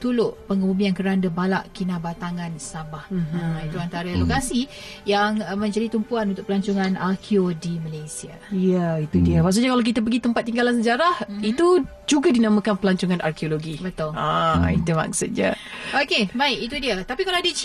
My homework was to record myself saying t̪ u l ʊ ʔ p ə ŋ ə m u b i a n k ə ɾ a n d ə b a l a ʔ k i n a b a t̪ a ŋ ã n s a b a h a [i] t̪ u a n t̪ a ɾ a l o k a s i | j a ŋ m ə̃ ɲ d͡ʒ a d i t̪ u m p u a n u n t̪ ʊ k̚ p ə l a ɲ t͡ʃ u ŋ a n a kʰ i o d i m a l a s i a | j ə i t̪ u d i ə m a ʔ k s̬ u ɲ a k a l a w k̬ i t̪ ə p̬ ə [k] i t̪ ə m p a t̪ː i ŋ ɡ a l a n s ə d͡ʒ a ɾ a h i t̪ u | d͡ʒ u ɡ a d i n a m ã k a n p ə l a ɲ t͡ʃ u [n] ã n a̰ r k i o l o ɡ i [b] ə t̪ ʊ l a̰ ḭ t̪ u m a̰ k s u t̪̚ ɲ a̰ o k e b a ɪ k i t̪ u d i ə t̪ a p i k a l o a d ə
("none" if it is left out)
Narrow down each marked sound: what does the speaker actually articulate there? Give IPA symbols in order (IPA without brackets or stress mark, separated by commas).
i, ɡ, ŋ, b